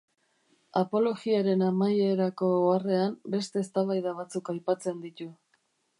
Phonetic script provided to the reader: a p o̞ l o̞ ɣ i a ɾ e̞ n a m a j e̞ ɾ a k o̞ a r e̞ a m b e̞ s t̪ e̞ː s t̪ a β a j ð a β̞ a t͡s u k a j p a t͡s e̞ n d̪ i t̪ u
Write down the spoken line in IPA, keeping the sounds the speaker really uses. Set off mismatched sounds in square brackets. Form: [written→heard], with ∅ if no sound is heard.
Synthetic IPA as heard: a p o̞ l o̞ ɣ i a ɾ e̞ n a m a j e̞ ɾ a k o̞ a r e̞ a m b e̞ s t̪ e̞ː s t̪ a β a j ð a β̞ a t͡s u k a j p a t͡s e̞ n d̪ i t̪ u